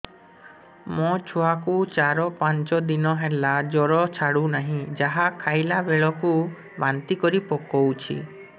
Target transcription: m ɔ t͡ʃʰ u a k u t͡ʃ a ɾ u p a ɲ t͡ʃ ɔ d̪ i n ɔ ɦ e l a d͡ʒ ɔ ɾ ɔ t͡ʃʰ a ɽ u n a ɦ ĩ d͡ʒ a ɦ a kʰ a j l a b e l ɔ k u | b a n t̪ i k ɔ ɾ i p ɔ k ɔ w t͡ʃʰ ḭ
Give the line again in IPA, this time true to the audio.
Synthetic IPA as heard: m ɔ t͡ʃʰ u a k u t͡ʃ a ɾ ɔ p a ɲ t͡ʃ ɔ d̪ i n ɔ ɦ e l a d͡ʒ ɔ ɾ ɔ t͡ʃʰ a ɽ u n a ɦ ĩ d͡ʒ a ɦ a kʰ a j l a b e ɭ ɔ k u | b a n t̪ i k ɔ ɾ i p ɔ k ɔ w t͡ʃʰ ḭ